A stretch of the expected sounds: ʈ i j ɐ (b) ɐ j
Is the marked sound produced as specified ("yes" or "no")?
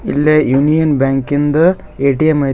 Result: no